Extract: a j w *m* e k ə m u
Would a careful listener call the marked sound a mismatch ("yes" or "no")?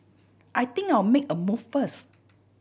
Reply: no